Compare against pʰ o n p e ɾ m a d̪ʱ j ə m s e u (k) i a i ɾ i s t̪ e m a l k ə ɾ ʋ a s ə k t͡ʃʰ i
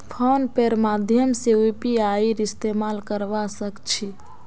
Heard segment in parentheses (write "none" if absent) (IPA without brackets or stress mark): p